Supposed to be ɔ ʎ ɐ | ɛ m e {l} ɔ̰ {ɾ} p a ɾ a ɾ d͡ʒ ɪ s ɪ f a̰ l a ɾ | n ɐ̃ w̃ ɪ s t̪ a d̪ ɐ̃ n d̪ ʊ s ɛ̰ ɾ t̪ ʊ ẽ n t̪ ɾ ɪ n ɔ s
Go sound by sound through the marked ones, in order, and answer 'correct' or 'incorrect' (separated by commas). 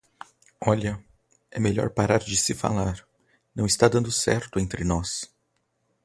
incorrect, correct